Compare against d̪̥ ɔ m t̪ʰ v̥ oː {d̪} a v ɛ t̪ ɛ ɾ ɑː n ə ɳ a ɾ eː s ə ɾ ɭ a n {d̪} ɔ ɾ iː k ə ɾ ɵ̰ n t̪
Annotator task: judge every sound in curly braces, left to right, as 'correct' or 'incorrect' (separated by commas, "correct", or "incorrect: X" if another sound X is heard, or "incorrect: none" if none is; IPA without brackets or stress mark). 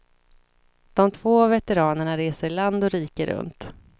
incorrect: none, correct